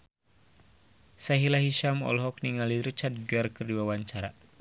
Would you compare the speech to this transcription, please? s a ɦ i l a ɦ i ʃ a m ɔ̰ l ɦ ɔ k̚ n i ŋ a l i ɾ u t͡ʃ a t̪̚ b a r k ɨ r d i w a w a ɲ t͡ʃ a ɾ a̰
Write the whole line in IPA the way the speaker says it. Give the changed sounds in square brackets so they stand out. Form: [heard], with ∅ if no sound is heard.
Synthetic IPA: s a ɦ i l a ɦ i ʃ a m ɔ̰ l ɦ ɔ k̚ n i ŋ a l i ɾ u t͡ʃ a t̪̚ [ɡ] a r k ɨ r d i w a w a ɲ t͡ʃ a ɾ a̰